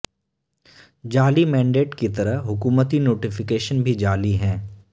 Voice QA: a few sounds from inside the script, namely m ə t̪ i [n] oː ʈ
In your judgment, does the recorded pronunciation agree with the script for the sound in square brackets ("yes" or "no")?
yes